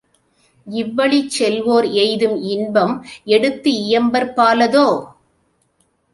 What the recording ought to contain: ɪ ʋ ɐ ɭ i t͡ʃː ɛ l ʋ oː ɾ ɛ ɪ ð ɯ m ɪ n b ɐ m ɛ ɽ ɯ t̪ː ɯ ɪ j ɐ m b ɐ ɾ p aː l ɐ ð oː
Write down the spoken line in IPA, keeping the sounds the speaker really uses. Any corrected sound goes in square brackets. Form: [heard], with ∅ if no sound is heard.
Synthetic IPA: ɪ [ʋː] ɐ ɭ i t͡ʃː ɛ l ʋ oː ɾ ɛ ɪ ð ɯ m ɪ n b ɐ m ɛ ɽ ɯ t̪ː ɯ ɪ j ɐ m b ɐ ɾ p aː l ɐ ð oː

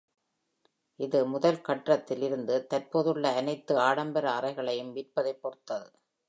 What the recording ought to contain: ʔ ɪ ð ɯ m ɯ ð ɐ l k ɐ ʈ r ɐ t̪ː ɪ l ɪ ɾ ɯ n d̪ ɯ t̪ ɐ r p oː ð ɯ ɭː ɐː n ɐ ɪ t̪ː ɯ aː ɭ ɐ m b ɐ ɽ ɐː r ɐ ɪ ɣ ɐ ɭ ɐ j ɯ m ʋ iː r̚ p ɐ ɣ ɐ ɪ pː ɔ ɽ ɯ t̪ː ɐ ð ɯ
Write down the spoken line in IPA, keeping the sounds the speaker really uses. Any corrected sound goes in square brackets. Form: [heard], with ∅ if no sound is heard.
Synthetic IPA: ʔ ɪ ð ɯ m [ʊ] ð ɐ l k ɐ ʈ r ɐ t̪ː ɪ l ɪ ɾ ɯ n d̪ ɯ t̪ ɐ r p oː ð ɯ ɭː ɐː n ɐ ɪ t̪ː ɯ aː [ɽ] ɐ m b ɐ [ɾ] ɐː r ɐ ɪ ɣ ɐ ɭ ɐ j ɯ m ʋ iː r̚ p ɐ [ð] ɐ ɪ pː ɔ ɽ ɯ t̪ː ɐ ð ɯ

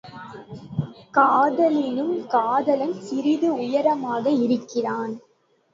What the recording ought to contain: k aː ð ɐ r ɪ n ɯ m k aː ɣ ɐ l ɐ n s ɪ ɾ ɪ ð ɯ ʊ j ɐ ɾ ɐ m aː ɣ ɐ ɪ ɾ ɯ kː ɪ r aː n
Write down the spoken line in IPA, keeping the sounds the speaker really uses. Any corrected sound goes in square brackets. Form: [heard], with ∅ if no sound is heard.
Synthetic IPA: k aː ð ɐ [l] ɪ n ɯ m k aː [ð] ɐ l ɐ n s ɪ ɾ ɪ ð ɯ ʊ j ɐ ɾ ɐ m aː ɣ ɐ ɪ ɾ ɯ kː ɪ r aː n

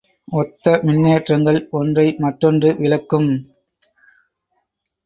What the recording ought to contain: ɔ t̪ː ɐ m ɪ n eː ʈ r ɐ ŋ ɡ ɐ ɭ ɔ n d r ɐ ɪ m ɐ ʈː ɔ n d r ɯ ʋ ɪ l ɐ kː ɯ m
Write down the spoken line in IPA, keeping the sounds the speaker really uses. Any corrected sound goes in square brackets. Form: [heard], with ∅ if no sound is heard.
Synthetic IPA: ɔ t̪ː ɐ m ɪ [nː] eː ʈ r ɐ ŋ ɡ ɐ ɭ ɔ n d r ɐ ɪ m ɐ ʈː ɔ n d r ɯ ʋ ɪ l ɐ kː ɯ m

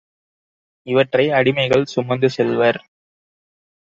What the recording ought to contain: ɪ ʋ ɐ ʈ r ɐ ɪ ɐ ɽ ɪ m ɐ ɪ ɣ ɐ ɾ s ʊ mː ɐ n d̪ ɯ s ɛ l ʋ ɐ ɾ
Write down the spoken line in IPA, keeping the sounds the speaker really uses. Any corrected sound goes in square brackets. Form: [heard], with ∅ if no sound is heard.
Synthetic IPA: ɪ ʋ ɐ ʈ r ɐ ɪ ɐ ɽ ɪ m ɐ ɪ ɣ ɐ [ɭ] s ʊ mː ɐ n d̪ ɯ s ɛ l ʋ ɐ ɾ

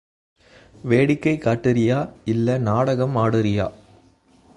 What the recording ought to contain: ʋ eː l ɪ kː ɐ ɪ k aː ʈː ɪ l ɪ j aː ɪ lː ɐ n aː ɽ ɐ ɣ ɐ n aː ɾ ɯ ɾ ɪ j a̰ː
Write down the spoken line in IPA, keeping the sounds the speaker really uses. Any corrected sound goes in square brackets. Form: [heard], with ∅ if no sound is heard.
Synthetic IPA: ʋ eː [ɽ] ɪ kː ɐ ɪ k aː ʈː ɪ [ɾ] ɪ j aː ɪ lː ɐ n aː ɽ ɐ ɣ ɐ [m] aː [ɽ] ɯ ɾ ɪ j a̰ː

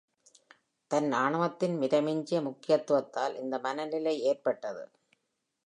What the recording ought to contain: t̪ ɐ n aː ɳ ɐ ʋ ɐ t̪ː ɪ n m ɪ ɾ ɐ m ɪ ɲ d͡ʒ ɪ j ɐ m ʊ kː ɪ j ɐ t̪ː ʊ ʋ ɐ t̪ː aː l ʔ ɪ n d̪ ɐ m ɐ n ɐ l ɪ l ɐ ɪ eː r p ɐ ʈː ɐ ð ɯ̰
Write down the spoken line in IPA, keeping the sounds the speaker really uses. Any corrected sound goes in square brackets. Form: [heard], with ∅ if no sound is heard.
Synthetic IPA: t̪ ɐ n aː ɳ ɐ ʋ ɐ t̪ː ɪ n m ɪ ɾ ɐ m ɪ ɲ d͡ʒ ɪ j ɐ m ʊ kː ɪ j ɐ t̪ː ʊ ʋ ɐ t̪ː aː l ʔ ɪ n d̪ ɐ m ɐ n ɐ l ɪ l ɐ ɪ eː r p ɐ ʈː ɐ ð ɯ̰

